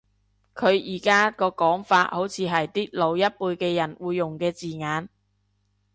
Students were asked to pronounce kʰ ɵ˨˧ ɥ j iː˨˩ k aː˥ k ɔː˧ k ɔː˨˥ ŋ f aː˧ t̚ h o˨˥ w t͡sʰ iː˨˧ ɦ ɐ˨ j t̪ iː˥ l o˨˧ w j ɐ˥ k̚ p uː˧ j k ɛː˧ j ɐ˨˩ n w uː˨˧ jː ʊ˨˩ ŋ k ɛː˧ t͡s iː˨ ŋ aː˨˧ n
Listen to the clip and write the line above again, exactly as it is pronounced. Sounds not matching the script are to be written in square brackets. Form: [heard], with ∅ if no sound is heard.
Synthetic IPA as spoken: kʰ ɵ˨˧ ɥ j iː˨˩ k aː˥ k ɔː˧ k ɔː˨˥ ŋ f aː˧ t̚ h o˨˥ w t͡sʰ iː˨˧ ɦ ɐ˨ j t̪ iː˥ l o˨˧ w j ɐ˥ [t̚] p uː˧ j k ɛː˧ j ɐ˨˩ n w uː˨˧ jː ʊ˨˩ ŋ k ɛː˧ t͡s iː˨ ŋ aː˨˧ n